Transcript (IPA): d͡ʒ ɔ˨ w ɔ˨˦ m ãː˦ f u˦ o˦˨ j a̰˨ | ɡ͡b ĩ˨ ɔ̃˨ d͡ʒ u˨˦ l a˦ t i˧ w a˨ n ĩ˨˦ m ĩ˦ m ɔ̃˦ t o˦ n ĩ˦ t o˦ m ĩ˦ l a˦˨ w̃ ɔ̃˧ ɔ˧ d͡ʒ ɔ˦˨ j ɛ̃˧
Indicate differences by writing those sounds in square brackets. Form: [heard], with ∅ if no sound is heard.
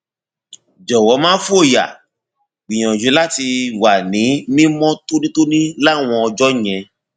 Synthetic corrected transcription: d͡ʒ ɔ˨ w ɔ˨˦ m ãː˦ f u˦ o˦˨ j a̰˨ | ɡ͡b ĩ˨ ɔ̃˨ d͡ʒ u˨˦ l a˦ t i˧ w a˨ n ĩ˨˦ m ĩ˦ m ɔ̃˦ t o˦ n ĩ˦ t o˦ [n] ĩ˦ l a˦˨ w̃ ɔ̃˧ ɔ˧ d͡ʒ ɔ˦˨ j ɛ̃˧

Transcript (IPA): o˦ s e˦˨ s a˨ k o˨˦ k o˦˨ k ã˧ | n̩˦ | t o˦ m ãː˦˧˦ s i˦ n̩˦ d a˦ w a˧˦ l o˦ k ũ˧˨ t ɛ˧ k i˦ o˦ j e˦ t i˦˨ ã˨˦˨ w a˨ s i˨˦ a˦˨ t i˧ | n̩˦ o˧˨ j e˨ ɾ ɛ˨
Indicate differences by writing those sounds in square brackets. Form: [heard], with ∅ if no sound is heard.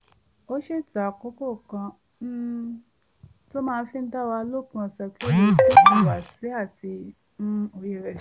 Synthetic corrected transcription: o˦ [ʃ] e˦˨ [t] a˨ k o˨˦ k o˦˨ k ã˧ | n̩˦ | t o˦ m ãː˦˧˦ [f] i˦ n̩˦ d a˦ w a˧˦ l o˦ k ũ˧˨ [s] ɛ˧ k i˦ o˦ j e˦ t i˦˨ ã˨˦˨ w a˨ s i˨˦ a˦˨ t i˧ | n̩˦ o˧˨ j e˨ ɾ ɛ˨

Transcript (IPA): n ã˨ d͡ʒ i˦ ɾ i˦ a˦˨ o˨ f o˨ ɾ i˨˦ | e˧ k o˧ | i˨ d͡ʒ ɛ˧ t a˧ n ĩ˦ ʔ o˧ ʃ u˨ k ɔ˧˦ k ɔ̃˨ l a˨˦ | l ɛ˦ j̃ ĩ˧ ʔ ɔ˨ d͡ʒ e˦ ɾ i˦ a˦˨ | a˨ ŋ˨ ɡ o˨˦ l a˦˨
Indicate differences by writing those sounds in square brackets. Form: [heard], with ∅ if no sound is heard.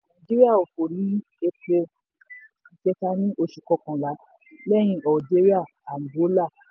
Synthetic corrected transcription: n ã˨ d͡ʒ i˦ ɾ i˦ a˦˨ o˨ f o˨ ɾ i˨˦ | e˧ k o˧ | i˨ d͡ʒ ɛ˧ t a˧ n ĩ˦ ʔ o˧ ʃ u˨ k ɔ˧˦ k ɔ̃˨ l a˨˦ | l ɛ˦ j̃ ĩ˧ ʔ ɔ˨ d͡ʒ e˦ ɾ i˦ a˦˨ | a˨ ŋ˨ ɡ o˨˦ l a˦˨

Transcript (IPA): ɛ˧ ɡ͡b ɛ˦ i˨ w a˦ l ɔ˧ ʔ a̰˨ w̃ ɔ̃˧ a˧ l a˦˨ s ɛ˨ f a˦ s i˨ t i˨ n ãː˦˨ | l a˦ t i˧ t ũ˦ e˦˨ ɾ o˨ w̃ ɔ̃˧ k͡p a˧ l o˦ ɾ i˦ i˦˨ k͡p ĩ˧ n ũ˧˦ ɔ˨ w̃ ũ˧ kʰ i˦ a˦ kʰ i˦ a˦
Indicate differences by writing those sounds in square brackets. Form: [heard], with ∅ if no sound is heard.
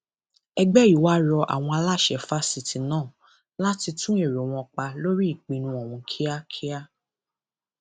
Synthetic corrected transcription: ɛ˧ ɡ͡b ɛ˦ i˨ w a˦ [ɾ] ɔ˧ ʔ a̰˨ w̃ ɔ̃˧ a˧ l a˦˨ [ʃ] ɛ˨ f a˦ s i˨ t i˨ n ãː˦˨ | l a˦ t i˧ t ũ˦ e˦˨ ɾ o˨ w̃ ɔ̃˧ k͡p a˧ l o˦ ɾ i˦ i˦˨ k͡p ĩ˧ n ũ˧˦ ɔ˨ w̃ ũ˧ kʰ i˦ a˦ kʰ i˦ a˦

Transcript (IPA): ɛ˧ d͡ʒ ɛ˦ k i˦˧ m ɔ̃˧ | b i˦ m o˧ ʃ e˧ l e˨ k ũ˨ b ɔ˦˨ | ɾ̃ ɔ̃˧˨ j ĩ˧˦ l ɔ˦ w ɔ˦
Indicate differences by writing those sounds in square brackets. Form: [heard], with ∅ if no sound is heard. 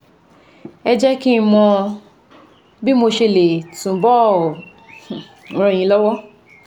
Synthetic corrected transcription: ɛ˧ d͡ʒ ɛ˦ k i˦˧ m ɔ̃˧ | b i˦ m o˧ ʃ e˧ l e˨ [t] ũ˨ b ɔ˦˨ | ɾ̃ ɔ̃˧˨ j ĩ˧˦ l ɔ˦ w ɔ˦

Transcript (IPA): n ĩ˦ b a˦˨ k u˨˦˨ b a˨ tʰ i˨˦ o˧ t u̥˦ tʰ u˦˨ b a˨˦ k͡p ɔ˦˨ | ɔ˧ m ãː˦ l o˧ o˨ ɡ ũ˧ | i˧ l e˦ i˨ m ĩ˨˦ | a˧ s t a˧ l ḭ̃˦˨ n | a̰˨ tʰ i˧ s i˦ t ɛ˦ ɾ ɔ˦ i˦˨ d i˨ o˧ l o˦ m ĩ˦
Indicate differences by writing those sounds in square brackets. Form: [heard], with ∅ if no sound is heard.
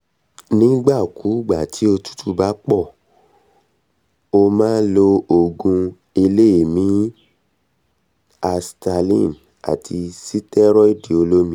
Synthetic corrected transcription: n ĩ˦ [ɡ͡b] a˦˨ k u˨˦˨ [ɡ͡b] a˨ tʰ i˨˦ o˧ t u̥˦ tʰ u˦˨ b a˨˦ k͡p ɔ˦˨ | [o˧] m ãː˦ l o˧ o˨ ɡ ũ˧ | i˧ l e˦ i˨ m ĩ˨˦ | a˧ s t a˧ l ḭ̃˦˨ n | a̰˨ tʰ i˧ s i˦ t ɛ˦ ɾ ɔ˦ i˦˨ d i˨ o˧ l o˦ m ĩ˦

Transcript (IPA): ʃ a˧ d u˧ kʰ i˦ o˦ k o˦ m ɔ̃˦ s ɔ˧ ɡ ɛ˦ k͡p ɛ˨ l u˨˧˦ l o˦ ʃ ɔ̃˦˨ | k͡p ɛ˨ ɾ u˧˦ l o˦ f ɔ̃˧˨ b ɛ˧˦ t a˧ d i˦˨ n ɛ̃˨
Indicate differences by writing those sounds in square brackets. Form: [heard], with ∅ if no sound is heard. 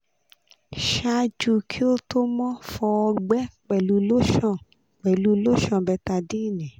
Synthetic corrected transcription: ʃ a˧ [d͡ʒ] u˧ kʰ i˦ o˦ [t] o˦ m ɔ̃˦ [f] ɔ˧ [ɡ͡b] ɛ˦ k͡p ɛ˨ l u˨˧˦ l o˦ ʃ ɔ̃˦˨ | k͡p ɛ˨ [l] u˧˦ l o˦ [ʃ] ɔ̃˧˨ b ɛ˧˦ t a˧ d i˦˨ n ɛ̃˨

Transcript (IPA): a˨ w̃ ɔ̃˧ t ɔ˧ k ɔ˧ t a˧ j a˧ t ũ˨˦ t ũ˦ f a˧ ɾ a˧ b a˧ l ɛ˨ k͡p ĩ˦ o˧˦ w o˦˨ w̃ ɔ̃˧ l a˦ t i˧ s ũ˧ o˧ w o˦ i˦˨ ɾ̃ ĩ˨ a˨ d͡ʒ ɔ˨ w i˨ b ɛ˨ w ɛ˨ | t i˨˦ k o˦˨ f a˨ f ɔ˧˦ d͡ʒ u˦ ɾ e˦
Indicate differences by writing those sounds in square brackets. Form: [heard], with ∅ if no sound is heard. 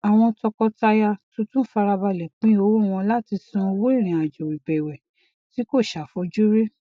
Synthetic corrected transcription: a˨ w̃ ɔ̃˧ t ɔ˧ k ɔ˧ t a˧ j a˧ t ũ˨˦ t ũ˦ f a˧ ɾ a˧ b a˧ l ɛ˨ k͡p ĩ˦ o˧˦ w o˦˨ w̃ ɔ̃˧ l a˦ t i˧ s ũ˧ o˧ w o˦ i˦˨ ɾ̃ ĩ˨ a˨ d͡ʒ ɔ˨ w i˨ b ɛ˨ w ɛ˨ | t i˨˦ k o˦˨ [ʃ] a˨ f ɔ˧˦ d͡ʒ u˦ ɾ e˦

